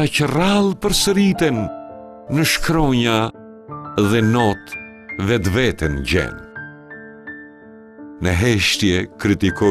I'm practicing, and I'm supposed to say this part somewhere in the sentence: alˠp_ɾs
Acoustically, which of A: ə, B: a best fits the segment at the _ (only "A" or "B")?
A